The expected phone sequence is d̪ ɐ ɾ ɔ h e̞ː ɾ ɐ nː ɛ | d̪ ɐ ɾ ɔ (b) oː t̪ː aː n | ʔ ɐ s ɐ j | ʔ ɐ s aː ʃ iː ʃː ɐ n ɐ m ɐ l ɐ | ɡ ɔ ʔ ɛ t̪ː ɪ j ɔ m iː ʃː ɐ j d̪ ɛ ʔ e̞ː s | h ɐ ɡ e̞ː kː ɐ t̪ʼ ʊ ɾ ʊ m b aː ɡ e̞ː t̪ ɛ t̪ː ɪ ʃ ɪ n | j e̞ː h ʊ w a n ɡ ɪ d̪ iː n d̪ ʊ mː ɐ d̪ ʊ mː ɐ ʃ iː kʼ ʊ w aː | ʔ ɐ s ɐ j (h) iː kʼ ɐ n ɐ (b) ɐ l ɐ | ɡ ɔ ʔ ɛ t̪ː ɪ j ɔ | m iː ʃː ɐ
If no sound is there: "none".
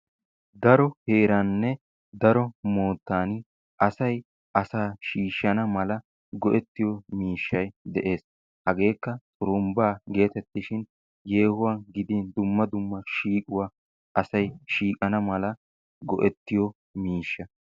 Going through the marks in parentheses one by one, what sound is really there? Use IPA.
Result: m, ʃ, m

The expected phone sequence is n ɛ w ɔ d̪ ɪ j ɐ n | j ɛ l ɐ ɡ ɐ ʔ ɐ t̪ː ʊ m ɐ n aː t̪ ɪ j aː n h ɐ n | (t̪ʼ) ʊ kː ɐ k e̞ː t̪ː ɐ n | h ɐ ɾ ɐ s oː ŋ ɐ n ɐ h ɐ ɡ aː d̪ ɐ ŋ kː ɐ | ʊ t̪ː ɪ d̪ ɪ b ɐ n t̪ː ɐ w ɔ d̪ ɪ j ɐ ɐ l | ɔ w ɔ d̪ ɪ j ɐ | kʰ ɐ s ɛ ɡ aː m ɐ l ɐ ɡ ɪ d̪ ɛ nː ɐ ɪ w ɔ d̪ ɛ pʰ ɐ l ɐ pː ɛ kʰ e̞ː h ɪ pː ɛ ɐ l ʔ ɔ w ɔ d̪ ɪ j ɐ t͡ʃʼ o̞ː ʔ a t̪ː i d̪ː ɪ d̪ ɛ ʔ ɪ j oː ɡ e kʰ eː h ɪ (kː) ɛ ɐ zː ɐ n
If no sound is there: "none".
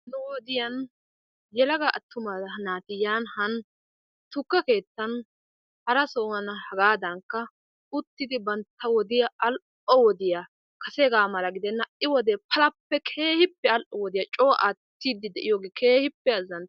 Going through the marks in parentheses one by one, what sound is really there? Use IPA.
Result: t̪, pː

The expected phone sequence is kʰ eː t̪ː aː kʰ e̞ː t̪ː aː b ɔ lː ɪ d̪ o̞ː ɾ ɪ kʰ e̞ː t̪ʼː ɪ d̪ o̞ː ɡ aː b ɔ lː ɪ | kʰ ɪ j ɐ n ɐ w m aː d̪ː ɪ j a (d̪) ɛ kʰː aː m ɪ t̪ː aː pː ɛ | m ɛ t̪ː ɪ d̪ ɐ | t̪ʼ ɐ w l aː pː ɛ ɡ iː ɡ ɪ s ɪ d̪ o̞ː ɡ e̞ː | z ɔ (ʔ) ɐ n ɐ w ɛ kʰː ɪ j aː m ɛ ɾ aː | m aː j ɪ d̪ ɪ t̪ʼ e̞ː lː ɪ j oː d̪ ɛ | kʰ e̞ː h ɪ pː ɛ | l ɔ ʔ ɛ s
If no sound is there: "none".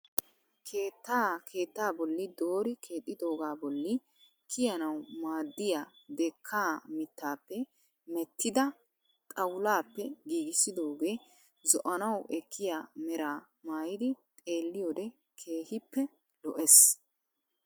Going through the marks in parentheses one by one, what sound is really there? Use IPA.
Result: d̪, ʔ

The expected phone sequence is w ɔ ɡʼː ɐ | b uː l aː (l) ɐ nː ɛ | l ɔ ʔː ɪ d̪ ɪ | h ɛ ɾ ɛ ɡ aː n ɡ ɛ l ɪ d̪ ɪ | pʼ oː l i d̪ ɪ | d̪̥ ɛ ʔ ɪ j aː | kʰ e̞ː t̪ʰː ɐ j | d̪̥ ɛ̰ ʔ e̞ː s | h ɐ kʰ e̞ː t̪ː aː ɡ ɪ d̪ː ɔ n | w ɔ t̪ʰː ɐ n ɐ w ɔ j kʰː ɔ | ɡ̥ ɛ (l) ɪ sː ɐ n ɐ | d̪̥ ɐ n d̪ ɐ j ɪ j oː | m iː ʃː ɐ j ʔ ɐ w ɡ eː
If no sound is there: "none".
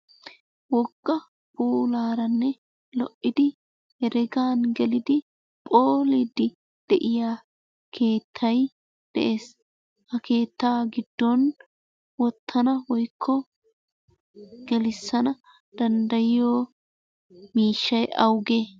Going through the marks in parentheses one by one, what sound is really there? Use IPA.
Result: ɾ, l

